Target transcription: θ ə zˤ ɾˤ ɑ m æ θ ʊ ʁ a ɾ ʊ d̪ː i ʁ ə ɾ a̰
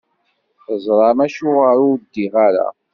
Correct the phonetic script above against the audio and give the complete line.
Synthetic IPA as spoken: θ ə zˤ ɾˤ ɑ m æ ʃ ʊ ʁ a ɾ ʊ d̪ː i ʁ a ɾ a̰